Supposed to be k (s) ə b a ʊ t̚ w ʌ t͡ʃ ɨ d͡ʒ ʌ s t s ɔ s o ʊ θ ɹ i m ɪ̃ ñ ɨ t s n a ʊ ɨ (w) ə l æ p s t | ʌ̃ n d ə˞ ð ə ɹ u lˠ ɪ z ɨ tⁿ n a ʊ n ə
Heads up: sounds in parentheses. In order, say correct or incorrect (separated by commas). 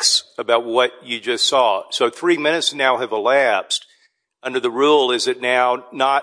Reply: correct, incorrect